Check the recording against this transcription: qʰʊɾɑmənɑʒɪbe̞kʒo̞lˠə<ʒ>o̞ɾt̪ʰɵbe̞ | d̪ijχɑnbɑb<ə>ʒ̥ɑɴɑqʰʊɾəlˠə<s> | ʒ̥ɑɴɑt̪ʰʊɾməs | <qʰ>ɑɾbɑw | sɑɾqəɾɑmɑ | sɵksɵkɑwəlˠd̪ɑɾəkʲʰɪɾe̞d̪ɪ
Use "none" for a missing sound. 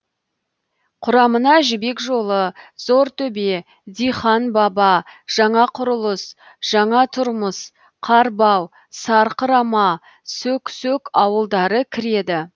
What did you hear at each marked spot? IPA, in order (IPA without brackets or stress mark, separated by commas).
z, ɑ, s, qʰ